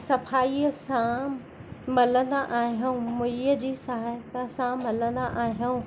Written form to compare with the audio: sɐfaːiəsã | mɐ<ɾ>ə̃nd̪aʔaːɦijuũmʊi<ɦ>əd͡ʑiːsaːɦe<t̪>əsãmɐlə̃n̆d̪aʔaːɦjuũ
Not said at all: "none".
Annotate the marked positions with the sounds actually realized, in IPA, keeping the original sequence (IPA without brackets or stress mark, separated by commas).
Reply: l, none, t̪